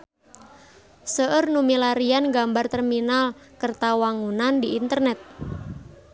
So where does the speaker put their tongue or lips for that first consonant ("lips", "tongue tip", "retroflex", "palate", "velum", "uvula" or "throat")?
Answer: tongue tip